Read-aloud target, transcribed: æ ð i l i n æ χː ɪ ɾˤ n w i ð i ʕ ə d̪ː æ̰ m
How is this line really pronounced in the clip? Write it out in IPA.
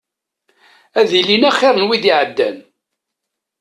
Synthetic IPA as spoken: æ ð i l i n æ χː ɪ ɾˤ n w i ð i ʕ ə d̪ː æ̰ n